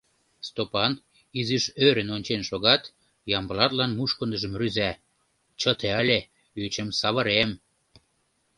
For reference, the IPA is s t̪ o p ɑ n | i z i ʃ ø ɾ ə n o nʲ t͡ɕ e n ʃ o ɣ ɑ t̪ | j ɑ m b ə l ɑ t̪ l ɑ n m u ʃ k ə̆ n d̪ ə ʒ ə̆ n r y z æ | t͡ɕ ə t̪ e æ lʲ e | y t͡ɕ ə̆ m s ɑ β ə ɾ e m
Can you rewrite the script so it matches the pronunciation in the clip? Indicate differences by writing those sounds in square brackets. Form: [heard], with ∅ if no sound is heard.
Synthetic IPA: s t̪ o p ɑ n | i z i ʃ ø ɾ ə n o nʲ t͡ɕ e n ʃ o ɣ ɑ t̪ | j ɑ m b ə l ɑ t̪ l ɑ n m u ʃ k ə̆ n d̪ ə ʒ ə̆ [m] r y z æ | t͡ɕ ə t̪ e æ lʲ e | y t͡ɕ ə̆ m s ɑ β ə ɾ e m